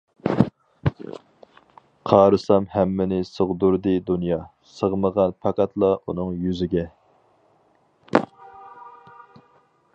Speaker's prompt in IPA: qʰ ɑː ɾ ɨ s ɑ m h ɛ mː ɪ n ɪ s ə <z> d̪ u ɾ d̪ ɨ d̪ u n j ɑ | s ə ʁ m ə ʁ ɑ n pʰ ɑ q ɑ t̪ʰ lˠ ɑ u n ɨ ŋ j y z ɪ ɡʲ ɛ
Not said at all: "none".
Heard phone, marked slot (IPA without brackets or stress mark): ʁ